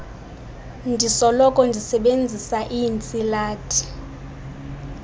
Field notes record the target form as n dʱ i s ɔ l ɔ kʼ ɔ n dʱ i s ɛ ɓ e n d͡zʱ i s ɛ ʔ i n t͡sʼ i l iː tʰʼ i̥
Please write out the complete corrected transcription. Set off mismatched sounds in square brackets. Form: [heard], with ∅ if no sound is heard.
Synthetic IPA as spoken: n dʱ i s ɔ l ɔ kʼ ɔ n dʱ i s ɛ ɓ e n d͡zʱ i s [a] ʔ i n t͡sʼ i l [aː] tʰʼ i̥